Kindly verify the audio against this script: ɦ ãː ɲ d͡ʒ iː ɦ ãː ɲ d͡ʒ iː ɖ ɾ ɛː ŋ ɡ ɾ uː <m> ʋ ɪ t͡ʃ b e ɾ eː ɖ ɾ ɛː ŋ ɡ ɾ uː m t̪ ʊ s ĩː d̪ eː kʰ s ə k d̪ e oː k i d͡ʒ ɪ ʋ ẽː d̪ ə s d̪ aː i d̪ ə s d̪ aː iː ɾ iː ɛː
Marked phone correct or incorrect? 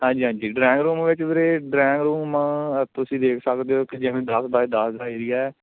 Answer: correct